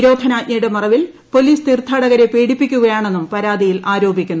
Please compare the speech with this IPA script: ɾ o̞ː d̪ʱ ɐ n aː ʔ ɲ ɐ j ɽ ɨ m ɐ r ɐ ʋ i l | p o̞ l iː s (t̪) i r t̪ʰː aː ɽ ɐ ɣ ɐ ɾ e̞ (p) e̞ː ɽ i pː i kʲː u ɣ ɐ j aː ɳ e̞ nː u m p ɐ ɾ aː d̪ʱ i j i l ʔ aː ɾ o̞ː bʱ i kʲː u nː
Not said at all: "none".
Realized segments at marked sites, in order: t̪, p

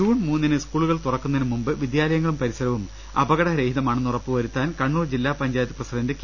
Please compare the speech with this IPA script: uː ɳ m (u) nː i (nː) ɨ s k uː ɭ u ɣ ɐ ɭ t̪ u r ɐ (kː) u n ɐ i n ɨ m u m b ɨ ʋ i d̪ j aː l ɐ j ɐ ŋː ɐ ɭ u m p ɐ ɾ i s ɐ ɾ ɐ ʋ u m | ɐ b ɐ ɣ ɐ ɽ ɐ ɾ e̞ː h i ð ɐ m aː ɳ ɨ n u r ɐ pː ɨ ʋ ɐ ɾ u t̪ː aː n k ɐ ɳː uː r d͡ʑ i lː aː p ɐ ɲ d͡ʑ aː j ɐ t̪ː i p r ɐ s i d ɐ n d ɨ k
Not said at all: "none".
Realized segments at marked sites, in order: uː, n, kː

